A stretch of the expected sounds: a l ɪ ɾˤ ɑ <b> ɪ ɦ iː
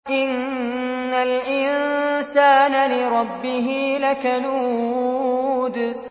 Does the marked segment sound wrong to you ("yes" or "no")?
yes